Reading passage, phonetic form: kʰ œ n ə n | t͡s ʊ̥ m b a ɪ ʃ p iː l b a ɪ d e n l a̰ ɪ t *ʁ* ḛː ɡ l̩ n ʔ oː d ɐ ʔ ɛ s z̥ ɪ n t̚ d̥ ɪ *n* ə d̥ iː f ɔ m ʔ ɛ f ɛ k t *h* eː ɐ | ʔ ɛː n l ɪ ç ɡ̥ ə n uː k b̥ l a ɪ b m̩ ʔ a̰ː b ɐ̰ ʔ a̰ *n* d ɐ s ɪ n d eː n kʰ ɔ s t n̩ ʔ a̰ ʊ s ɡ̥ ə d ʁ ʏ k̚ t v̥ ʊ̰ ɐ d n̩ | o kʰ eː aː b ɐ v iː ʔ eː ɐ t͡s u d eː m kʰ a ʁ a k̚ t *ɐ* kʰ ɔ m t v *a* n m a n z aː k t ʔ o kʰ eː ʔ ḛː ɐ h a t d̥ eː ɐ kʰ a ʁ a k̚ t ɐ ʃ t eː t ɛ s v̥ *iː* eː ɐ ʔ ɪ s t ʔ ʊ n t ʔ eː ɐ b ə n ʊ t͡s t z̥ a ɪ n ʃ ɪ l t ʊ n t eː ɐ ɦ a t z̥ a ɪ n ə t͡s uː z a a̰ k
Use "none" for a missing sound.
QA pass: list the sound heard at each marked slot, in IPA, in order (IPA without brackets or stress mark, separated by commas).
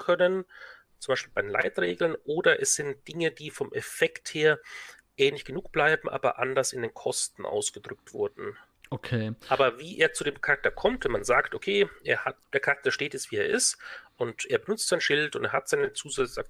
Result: ʁ, ŋ, h, n, ɐ, ɛ, iː